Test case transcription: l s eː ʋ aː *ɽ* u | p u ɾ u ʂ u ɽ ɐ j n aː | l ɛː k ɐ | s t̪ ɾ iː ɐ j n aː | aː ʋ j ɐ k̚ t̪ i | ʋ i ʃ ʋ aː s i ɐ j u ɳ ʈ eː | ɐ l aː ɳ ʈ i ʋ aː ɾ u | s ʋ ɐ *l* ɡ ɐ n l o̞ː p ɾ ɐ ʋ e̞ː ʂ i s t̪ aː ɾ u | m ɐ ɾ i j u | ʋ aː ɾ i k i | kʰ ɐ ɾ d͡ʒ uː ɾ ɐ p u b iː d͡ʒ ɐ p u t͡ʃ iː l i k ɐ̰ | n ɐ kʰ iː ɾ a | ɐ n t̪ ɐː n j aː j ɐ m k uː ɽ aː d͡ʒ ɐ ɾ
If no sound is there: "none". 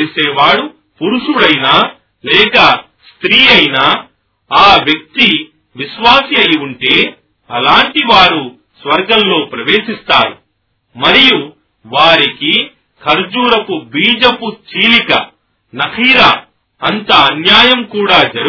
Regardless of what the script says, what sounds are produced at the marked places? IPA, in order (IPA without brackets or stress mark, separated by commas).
ɽ, ɾ